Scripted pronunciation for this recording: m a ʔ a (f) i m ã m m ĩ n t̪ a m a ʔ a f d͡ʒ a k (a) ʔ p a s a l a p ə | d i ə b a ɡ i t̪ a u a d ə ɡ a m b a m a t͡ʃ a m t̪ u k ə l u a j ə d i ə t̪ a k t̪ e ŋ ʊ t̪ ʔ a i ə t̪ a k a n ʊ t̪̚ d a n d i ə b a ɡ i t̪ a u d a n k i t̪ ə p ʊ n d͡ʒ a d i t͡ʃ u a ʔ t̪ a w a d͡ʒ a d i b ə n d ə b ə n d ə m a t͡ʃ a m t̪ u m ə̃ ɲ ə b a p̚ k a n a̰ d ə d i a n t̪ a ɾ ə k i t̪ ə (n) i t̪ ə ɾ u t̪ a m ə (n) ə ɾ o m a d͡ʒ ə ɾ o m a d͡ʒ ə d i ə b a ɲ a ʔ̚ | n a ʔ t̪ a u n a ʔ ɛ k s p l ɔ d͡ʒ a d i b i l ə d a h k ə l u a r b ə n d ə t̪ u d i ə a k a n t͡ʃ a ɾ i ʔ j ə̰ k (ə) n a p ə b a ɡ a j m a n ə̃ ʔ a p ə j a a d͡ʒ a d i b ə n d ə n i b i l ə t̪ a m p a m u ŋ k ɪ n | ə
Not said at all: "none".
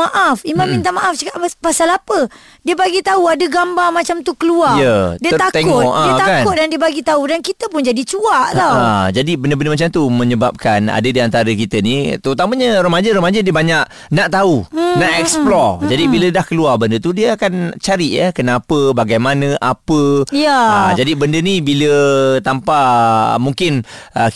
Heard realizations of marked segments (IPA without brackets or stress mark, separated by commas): f, a, n, ɲ, ə